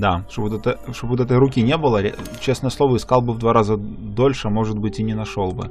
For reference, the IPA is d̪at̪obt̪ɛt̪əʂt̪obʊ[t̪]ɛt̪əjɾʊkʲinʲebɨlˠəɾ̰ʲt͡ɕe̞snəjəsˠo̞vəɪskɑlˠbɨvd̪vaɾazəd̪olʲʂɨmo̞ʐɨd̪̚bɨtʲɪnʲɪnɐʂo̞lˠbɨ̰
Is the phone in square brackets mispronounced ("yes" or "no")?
no